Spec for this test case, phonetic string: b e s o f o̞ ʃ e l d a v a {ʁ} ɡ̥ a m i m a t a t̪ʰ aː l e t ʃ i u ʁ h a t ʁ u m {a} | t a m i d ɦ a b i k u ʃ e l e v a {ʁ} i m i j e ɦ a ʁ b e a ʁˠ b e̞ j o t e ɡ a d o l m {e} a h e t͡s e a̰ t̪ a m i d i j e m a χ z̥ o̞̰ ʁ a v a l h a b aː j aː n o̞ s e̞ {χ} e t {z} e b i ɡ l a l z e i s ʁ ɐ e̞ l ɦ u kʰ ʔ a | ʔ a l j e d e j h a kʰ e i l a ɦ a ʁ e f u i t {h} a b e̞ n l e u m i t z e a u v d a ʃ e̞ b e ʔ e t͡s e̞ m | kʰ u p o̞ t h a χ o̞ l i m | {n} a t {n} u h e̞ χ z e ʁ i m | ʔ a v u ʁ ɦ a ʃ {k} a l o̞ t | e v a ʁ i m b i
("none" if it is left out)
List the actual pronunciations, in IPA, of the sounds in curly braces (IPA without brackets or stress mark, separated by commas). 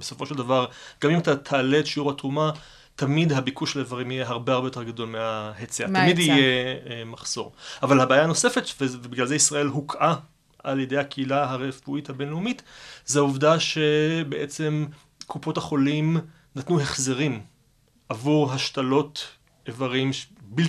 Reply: ʁ, a, ʁ, e, f, v, h, n, n, t